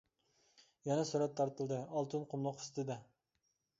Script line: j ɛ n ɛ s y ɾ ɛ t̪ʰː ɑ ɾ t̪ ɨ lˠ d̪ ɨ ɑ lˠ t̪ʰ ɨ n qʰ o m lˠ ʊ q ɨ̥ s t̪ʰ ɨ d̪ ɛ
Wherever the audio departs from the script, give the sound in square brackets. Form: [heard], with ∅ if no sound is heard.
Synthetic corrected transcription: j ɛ n ɛ s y ɾ ɛ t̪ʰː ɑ ɾ t̪ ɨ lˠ d̪ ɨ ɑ lˠ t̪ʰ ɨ n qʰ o m lˠ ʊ q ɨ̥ s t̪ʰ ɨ d̪ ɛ